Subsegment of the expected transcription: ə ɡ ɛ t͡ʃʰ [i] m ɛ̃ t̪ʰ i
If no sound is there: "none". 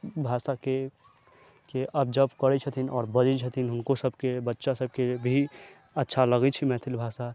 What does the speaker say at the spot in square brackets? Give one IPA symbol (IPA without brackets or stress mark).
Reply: i